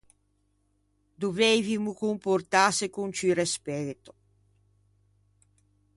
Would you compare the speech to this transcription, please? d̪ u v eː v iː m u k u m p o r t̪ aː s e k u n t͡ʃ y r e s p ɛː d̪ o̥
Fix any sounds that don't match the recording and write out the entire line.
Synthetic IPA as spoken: d̪ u v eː v i m u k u m p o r t̪ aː s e k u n t͡ʃ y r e s p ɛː t̪ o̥